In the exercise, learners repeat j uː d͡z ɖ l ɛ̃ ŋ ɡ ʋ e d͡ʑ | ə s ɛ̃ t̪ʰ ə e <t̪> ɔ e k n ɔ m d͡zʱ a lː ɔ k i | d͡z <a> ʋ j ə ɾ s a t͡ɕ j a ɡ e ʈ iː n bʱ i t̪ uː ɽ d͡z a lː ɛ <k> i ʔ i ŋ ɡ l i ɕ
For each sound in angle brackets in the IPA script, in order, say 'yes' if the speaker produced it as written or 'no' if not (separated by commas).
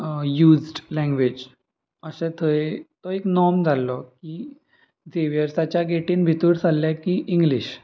yes, no, yes